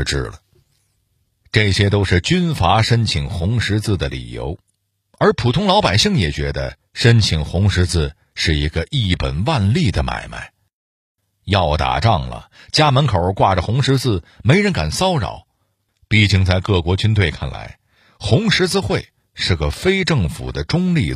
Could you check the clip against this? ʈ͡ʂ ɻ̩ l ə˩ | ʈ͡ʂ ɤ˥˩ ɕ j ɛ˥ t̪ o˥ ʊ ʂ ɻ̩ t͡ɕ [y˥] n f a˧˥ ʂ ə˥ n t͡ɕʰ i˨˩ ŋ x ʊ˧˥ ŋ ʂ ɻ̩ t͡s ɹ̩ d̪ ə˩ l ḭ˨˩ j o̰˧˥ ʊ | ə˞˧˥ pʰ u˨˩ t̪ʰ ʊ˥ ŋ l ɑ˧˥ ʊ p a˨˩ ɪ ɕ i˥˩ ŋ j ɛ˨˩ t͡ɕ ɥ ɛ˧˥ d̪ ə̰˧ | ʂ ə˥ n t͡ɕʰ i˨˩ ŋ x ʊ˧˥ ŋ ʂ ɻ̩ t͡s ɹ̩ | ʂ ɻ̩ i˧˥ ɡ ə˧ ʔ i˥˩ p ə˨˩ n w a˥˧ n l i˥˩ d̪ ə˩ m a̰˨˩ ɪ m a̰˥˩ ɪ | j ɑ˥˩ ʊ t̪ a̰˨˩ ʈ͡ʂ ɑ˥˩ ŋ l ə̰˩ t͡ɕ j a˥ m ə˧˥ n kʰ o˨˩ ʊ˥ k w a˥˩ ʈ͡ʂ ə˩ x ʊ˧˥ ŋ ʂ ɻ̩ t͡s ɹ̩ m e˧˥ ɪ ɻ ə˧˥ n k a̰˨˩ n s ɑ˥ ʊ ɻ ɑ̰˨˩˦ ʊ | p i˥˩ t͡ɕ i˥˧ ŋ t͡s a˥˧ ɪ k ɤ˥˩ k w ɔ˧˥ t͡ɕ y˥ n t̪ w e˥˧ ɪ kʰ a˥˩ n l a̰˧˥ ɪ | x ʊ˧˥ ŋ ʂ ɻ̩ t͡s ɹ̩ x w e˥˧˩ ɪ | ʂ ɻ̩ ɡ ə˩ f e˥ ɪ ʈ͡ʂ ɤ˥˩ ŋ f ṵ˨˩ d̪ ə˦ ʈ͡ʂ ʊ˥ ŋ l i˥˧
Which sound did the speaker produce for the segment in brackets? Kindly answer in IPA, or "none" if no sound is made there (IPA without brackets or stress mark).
y˥